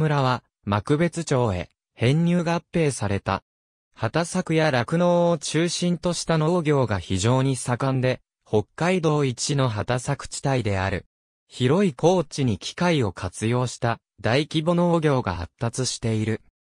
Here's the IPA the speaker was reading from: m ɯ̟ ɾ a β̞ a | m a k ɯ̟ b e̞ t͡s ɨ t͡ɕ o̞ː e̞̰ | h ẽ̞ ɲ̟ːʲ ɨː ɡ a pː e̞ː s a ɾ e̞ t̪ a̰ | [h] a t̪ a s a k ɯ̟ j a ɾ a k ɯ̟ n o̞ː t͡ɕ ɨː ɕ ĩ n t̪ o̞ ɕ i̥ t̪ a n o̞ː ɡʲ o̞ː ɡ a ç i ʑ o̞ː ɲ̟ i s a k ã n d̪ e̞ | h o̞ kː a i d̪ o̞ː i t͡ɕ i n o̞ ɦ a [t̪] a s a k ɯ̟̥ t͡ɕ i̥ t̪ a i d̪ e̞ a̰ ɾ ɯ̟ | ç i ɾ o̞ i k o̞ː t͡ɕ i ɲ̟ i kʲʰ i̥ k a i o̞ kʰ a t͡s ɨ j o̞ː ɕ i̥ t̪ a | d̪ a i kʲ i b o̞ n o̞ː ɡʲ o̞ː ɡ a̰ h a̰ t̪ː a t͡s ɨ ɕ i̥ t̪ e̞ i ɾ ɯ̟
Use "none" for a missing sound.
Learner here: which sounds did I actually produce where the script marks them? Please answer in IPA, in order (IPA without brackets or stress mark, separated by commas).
h, t̪